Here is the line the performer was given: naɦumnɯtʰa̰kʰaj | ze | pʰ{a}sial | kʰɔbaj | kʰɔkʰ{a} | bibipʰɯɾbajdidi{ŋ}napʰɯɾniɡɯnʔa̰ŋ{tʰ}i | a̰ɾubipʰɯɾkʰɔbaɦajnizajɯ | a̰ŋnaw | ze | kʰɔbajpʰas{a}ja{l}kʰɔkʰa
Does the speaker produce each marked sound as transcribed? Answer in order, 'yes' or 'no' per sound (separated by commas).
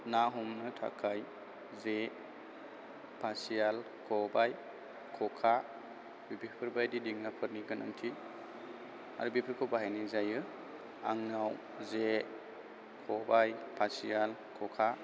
yes, yes, yes, yes, no, yes